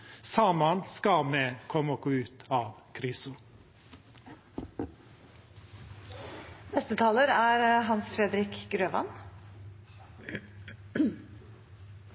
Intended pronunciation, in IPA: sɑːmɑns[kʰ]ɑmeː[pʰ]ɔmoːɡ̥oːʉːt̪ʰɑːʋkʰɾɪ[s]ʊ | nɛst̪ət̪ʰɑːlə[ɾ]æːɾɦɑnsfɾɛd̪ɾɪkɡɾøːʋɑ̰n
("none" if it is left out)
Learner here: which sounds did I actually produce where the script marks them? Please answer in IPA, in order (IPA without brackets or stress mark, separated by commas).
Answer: k, kʰ, s, ɾ